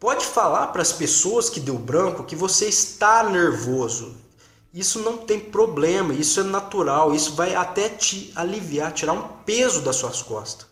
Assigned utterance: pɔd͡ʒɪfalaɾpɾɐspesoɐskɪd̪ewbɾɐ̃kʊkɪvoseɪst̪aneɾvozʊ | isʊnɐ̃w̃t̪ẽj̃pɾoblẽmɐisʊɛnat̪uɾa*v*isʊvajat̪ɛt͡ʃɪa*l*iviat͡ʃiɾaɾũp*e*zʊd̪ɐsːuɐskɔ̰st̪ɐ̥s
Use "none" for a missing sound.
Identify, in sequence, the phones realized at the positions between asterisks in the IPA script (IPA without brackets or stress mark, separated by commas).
w, l, e